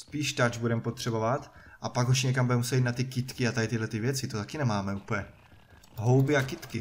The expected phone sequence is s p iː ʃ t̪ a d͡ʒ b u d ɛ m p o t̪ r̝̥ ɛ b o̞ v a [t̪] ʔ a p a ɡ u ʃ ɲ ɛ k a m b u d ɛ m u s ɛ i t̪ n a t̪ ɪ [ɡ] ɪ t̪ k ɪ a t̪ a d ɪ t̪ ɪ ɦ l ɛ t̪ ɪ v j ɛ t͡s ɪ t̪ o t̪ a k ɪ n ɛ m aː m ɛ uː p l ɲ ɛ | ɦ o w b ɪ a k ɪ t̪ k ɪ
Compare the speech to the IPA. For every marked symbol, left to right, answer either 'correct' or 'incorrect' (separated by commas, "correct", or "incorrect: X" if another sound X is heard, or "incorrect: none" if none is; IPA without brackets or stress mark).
correct, incorrect: k